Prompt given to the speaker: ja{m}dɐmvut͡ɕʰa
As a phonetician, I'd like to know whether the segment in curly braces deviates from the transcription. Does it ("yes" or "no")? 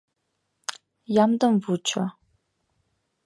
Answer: no